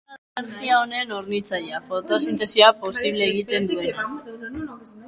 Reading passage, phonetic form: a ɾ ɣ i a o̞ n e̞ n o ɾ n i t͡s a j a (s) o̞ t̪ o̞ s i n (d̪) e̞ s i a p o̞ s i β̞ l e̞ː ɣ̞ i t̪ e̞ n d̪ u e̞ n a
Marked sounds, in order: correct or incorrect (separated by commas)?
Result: incorrect, incorrect